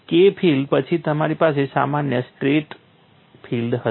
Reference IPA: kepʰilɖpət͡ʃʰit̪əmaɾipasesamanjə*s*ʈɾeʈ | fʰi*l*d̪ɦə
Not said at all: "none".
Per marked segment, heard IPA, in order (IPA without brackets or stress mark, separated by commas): s, l